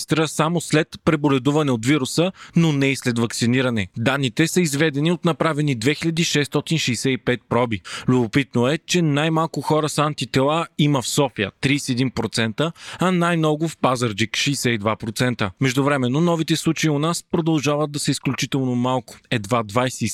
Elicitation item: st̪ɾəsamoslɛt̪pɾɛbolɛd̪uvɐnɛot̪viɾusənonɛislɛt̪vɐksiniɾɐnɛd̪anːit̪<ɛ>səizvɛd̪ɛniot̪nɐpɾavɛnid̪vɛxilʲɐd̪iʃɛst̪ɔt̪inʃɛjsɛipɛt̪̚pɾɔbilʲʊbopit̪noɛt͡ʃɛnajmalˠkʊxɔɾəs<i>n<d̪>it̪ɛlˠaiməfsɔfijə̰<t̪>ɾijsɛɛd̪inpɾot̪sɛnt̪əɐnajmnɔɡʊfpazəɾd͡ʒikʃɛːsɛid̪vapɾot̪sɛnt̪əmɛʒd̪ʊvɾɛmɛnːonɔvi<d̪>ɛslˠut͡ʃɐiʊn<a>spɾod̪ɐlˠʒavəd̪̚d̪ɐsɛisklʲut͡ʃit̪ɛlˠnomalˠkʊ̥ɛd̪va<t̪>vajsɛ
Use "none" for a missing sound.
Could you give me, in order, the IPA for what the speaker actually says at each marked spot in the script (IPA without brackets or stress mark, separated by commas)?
ɛ, a, t̪, t̪, t̪, a, d̪